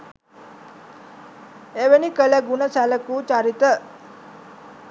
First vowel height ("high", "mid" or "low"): mid